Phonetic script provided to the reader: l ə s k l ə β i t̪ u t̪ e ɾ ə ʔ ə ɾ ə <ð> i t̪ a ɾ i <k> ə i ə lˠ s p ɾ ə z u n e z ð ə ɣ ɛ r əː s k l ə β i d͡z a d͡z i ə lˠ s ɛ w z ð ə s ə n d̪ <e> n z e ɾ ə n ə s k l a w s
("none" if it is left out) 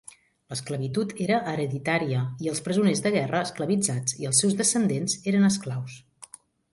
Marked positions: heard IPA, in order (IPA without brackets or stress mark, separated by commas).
ð, none, e